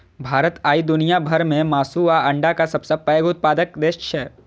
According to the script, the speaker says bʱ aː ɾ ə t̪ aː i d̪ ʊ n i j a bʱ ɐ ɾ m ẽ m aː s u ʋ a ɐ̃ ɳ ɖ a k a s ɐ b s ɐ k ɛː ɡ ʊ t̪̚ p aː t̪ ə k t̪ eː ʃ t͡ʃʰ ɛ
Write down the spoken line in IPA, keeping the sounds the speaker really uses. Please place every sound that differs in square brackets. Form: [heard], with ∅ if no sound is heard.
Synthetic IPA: bʱ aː ɾ ə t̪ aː i d̪ ʊ n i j a bʱ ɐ ɾ m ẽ m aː s u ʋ a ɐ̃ ɳ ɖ a k a s ɐ b s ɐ [p] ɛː ɡ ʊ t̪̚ p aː [d̪] ə k [d̪] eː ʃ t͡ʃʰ ɛ